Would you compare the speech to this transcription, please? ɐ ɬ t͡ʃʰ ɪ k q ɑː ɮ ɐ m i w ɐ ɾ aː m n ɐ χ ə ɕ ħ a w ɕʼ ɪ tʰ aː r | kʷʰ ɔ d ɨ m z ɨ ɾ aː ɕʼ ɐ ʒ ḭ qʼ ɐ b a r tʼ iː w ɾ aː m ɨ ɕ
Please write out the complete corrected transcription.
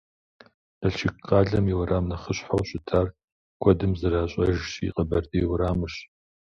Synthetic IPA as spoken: ɐ ɬ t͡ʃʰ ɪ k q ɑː ɮ ɐ m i w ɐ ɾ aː m n ɐ χ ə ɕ ħ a w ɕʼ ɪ tʰ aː r | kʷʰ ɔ d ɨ m z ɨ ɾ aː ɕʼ ɐ ʒ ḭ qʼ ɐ b ɐ r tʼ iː w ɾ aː m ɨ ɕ